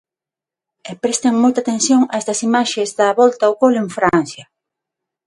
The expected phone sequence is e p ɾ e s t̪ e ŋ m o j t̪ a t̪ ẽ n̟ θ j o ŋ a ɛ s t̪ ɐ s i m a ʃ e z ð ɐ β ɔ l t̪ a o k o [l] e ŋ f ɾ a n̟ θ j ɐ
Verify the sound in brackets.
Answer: correct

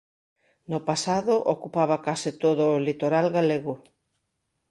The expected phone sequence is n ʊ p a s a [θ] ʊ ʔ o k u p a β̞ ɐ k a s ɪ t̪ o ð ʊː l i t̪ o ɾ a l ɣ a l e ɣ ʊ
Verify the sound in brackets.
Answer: incorrect: ð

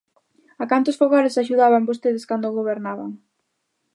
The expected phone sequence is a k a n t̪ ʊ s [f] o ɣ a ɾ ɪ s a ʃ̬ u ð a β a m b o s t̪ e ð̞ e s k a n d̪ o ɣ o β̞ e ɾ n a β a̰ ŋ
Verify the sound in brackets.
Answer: correct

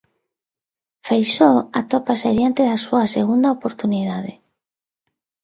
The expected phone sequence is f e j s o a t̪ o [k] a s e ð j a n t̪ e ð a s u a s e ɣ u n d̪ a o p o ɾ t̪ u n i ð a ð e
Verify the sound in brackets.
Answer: incorrect: p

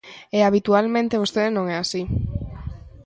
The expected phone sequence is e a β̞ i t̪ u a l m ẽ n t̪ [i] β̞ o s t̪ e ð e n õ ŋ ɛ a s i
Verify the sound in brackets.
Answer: incorrect: e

